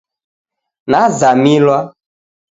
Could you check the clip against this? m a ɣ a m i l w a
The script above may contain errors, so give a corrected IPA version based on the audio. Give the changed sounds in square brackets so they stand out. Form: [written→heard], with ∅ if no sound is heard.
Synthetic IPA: [m→n] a [ɣ→z] a m i l w a